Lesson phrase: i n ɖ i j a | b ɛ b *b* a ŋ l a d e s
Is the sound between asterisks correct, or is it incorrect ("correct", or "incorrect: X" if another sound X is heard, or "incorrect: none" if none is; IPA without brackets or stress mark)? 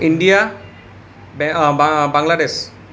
correct